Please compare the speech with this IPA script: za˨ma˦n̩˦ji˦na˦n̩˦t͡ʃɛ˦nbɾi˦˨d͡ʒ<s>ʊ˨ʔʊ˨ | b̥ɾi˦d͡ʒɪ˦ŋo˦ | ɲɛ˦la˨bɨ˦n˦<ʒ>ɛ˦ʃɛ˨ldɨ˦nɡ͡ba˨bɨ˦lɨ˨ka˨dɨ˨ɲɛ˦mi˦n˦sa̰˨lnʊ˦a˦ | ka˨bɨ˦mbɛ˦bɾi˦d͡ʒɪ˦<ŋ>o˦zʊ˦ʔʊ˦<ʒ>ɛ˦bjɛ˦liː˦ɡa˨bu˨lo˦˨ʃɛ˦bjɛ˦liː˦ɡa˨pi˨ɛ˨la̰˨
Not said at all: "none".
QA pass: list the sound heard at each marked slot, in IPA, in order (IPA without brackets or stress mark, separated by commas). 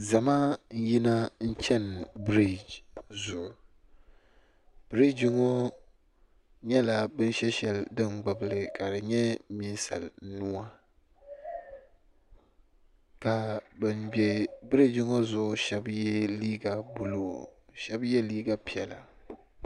z, ʃ, ŋ, ʃ